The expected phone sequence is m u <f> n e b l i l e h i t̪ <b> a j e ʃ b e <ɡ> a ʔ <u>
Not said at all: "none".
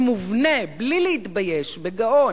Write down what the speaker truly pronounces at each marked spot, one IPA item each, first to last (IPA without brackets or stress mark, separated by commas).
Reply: v, b, ɡ, o